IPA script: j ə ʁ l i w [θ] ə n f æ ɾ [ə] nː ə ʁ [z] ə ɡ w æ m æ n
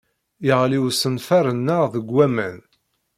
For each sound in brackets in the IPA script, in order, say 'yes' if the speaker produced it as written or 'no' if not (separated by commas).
no, yes, no